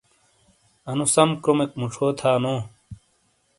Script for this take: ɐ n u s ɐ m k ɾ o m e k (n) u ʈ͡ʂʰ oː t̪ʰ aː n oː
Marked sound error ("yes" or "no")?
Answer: yes